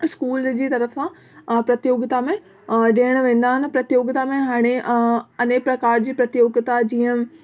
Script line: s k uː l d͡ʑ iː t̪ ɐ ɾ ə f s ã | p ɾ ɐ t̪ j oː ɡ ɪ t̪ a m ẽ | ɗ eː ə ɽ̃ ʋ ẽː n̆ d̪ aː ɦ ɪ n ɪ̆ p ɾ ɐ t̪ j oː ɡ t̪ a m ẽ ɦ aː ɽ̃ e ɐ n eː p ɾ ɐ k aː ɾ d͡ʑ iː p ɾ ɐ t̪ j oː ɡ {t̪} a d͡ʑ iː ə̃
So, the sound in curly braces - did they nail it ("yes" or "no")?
yes